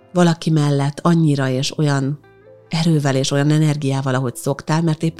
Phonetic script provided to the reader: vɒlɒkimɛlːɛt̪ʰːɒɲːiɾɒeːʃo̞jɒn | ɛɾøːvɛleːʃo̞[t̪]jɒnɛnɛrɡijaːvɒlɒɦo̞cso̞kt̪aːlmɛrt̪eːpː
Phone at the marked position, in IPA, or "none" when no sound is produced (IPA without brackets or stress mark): none